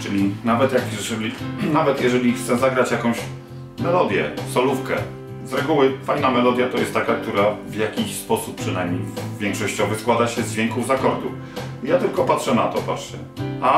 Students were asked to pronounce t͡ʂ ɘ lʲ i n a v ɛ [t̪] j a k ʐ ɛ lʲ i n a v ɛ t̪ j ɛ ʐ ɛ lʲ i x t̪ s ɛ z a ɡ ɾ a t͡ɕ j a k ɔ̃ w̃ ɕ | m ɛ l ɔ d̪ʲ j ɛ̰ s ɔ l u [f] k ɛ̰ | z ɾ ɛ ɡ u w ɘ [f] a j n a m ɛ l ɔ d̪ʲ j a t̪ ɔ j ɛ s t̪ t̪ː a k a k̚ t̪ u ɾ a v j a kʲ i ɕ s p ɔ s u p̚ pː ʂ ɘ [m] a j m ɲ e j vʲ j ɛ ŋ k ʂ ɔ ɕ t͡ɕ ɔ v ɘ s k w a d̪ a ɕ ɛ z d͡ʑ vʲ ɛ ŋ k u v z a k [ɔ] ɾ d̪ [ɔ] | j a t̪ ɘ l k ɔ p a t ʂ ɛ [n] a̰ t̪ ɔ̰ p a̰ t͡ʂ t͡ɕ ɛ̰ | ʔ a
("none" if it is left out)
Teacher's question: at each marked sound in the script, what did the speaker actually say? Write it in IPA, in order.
t̪, f, f, n, ɔ, u, n

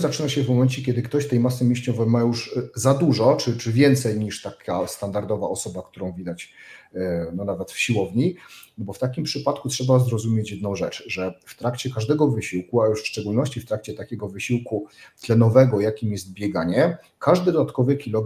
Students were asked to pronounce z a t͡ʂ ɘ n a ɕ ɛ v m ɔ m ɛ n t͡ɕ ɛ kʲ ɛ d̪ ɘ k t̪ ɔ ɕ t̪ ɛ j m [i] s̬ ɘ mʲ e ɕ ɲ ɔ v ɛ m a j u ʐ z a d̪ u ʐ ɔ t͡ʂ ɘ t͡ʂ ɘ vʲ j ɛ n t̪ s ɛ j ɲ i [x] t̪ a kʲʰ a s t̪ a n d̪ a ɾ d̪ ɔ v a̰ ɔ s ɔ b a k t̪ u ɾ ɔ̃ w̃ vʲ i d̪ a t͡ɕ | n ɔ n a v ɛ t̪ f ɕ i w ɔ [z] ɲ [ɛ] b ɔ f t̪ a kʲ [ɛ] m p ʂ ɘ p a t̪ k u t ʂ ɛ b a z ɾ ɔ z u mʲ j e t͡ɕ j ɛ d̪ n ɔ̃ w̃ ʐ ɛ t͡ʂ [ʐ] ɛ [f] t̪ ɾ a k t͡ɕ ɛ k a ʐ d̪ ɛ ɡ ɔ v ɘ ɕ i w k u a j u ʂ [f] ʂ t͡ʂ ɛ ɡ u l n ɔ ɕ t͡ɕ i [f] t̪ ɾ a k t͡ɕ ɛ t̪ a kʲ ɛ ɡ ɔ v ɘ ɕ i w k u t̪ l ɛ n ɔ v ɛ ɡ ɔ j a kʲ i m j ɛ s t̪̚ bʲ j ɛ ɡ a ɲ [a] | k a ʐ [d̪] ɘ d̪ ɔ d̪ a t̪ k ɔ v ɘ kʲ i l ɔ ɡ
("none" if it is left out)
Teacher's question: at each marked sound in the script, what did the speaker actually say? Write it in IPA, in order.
a, ʂ, v, i, i, ʐ, f, f, f, ɛ, d̪

